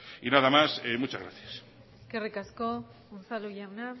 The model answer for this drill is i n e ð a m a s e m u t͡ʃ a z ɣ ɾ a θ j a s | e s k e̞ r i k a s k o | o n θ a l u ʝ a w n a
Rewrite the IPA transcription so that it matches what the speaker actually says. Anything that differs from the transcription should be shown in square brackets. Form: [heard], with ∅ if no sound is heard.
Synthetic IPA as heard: i n [a] ð a m a s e m u t͡ʃ a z ɣ ɾ a θ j a s | e s k e̞ r i k a s k o | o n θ a l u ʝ a w n a

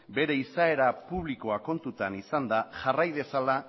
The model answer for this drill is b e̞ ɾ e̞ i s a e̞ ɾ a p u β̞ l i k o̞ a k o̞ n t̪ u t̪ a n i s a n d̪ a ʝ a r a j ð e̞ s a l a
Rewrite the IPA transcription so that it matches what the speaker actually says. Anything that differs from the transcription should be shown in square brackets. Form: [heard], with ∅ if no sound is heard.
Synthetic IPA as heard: b e̞ ɾ e̞ i s a e̞ ɾ a p u β̞ l i k o̞ a k o̞ n t̪ u t̪ a n i s a n d̪ a ʝ a r a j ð e̞ s a l a

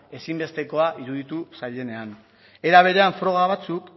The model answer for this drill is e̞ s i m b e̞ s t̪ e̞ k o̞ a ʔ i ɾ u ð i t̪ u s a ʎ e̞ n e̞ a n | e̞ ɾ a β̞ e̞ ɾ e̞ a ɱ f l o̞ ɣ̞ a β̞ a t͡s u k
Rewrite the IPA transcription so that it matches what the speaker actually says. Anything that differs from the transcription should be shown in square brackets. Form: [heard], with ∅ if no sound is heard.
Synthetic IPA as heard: e̞ s i m b e̞ s t̪ e̞ k o̞ a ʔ i ɾ u ð i t̪ u s a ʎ e̞ n e̞ a n | e̞ ɾ a β̞ e̞ ɾ e̞ a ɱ f [ɾ] o̞ ɣ̞ a β̞ a t͡s u k

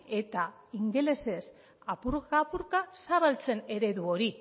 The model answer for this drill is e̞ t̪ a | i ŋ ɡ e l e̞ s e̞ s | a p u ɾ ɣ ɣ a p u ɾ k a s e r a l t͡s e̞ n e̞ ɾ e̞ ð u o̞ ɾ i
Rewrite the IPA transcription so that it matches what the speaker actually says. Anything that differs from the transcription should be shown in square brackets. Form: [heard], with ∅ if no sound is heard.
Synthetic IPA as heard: e̞ t̪ a | i ŋ ɡ e l e̞ s e̞ s | a p u ɾ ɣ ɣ a p u ɾ k a s [a] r a l t͡s e̞ n e̞ ɾ e̞ ð u o̞ ɾ i

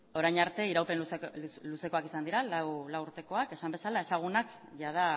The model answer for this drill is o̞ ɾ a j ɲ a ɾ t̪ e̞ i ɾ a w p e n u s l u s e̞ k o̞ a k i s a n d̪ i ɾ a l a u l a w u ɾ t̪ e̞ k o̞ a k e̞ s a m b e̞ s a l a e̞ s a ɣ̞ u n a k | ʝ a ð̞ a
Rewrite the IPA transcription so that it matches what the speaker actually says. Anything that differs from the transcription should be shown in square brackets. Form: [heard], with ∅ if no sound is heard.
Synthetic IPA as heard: o̞ ɾ a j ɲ a ɾ t̪ e̞ i ɾ a w p e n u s l u s e̞ k o̞ a k i s a n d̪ i ɾ a l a [w] l a w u ɾ t̪ e̞ k o̞ a k e̞ s a m b e̞ s a l a e̞ s a ɣ̞ u n a k | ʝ a ð̞ a

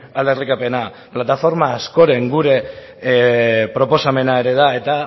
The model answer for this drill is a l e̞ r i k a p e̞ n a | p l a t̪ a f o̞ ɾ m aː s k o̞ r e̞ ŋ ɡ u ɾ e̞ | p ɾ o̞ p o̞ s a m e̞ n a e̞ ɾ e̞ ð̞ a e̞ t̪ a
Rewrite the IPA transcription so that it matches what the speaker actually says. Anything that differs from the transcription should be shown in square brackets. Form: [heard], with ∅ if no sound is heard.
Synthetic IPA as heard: a l e̞ r i k a p e̞ n a | p l a t̪ a f o̞ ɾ m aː s k o̞ [ɾ] e̞ ŋ ɡ u ɾ e̞ | p ɾ o̞ p o̞ s a m e̞ n a e̞ ɾ e̞ ð̞ a e̞ t̪ a

